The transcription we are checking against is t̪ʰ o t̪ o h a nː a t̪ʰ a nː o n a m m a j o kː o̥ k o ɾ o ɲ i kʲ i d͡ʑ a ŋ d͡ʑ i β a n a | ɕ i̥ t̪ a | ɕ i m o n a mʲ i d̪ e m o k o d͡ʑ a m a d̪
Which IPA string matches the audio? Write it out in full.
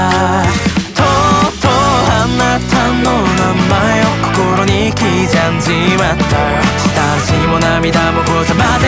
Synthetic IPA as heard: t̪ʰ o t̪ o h a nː a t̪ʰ a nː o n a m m a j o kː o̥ k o ɾ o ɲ i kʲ i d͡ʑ a n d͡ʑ i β a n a | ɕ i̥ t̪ a | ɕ i m o n a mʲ i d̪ a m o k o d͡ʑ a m a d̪